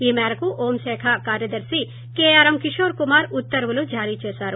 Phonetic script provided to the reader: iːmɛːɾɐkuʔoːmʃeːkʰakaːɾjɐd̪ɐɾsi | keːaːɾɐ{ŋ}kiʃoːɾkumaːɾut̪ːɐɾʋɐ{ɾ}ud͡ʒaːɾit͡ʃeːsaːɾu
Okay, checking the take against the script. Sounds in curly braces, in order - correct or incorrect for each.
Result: incorrect: m, incorrect: l

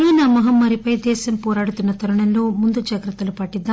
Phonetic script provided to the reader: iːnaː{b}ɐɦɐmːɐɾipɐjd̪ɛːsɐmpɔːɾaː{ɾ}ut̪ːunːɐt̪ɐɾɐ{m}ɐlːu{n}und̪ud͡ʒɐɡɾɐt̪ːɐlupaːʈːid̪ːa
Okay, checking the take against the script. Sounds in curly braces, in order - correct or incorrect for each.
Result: incorrect: m, incorrect: ɽ, incorrect: ɳ, incorrect: m

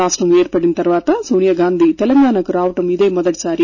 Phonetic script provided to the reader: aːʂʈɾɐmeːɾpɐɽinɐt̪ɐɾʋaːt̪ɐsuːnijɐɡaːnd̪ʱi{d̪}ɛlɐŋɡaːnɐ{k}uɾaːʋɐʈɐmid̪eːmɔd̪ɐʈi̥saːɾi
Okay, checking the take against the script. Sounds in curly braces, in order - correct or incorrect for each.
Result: incorrect: t̪, correct

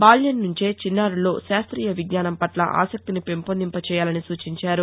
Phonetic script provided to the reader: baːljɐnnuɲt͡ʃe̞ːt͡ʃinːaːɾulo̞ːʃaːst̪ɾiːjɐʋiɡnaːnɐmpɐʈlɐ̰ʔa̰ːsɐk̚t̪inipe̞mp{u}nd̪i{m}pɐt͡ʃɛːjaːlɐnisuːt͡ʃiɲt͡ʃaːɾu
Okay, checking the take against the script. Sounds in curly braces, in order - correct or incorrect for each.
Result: incorrect: o, correct

